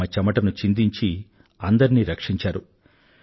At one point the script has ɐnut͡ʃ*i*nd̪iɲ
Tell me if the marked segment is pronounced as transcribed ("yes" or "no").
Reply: yes